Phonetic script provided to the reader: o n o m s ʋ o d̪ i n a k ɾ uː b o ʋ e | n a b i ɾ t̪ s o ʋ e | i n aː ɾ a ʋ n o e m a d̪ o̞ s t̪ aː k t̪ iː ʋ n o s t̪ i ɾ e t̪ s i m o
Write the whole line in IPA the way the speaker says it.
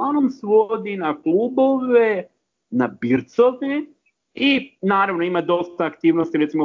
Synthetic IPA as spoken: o n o m s ʋ o d̪ i n a k l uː b o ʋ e | n a b i ɾ t̪ s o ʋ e | i n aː ɾ a ʋ n o i m a d̪ o̞ s t̪ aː k t̪ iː ʋ n o s t̪ i ɾ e t̪ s i m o